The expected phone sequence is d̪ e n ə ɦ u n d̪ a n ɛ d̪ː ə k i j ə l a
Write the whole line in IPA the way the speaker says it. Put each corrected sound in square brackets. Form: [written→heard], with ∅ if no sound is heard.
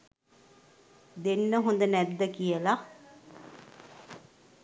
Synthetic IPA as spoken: d̪ e [n→nː] ə ɦ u n d̪ [a→ə] n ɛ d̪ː ə k i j ə l a